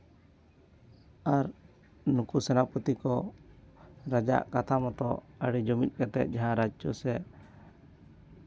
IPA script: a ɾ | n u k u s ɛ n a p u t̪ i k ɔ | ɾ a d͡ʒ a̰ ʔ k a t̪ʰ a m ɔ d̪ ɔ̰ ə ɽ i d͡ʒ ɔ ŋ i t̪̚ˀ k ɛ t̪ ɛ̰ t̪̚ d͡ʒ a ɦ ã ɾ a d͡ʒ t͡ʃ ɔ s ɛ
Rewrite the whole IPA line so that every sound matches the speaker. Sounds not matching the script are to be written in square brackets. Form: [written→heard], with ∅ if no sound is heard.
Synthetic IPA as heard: a ɾ | n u k u s ɛ n a p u t̪ i k ɔ | ɾ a d͡ʒ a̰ ʔ k a t̪ʰ a m ɔ [d̪→t̪] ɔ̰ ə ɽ i d͡ʒ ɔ [ŋ→m] i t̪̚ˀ k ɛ t̪ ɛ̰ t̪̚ d͡ʒ a ɦ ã ɾ a d͡ʒ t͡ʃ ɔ s ɛ